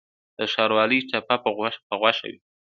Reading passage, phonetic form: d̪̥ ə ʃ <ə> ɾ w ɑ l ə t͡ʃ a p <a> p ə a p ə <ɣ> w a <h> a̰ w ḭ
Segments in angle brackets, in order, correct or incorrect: incorrect, correct, correct, incorrect

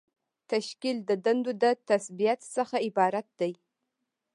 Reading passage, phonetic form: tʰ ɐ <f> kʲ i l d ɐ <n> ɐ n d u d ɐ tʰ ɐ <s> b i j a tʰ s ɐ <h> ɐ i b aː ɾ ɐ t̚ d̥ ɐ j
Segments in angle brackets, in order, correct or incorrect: incorrect, incorrect, correct, incorrect

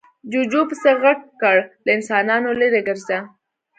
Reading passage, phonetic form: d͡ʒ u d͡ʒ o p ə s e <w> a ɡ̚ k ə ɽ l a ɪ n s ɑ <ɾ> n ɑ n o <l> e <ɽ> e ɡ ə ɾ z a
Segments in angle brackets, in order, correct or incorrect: incorrect, incorrect, correct, incorrect

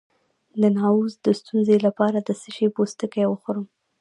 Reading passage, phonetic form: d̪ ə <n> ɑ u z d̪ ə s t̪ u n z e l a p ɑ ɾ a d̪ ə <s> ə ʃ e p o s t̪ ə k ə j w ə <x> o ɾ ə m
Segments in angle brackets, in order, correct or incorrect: correct, correct, correct

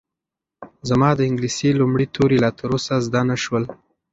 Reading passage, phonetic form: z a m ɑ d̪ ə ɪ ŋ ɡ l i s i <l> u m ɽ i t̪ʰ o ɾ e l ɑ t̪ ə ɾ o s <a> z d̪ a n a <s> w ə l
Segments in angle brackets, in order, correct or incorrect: correct, correct, incorrect

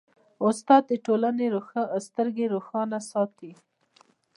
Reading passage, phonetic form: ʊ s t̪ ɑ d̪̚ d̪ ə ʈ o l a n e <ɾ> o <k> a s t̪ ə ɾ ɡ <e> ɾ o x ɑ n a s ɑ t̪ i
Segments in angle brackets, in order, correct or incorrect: correct, incorrect, correct

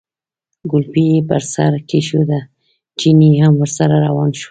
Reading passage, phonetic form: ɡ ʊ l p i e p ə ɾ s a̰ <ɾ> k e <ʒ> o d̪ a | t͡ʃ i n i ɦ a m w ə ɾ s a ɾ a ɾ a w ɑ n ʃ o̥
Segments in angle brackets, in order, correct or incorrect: correct, incorrect

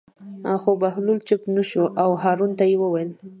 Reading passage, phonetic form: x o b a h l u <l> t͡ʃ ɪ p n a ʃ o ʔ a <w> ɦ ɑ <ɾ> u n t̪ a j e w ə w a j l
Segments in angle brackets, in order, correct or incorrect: correct, correct, correct

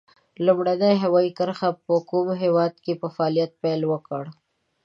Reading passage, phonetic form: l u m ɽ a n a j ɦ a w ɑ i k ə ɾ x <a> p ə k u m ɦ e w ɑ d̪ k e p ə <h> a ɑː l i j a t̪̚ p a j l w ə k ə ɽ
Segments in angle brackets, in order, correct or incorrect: correct, incorrect

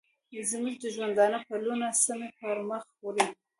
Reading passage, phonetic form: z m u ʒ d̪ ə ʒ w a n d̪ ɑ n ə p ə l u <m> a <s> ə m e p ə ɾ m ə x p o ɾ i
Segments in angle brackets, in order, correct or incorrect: incorrect, correct

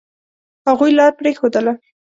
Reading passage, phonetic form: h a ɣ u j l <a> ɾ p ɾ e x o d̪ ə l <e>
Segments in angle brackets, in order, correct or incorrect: incorrect, incorrect

